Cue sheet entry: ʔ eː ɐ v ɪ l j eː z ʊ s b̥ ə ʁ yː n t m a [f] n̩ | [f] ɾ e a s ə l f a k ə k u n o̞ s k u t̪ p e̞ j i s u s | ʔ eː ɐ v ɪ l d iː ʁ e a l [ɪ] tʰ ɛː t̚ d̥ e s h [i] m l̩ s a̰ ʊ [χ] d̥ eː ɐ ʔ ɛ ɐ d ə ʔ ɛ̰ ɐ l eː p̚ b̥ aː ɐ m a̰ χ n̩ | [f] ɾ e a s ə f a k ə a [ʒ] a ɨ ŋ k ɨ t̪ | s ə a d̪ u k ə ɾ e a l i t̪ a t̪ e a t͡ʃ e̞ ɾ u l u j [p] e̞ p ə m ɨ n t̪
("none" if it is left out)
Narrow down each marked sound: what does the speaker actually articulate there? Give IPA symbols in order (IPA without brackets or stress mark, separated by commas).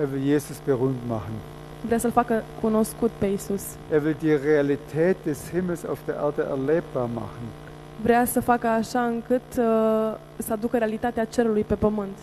χ, v, i, ɪ, f, v, ʃ, p